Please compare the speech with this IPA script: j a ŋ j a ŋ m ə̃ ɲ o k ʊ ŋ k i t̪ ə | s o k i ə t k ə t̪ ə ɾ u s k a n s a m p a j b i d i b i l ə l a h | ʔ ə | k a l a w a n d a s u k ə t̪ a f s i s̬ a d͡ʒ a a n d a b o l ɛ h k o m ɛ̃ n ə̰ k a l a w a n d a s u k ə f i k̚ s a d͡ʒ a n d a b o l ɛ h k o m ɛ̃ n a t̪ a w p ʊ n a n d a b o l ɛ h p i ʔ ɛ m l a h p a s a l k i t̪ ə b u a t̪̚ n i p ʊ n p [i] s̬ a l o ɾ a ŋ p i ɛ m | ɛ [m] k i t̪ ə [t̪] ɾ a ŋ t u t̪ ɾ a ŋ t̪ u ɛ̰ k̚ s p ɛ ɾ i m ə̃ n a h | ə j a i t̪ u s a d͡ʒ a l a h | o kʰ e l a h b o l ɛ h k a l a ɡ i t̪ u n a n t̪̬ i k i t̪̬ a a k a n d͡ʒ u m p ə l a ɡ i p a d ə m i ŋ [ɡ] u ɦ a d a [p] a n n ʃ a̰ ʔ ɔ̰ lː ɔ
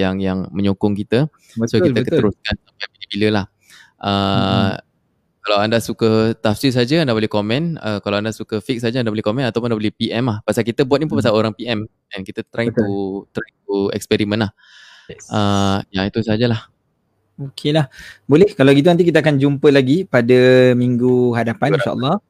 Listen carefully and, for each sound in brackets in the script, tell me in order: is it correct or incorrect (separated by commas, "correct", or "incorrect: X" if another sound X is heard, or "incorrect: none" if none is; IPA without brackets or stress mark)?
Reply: incorrect: a, incorrect: n, correct, correct, correct